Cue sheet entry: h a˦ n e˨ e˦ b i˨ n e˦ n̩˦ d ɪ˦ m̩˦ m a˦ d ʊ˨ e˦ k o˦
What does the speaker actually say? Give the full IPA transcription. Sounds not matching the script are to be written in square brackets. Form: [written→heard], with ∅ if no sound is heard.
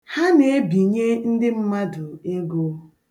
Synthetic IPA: h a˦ n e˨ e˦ b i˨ [n→ɲ] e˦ n̩˦ d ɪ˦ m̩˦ m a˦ d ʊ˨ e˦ [k→ɡ] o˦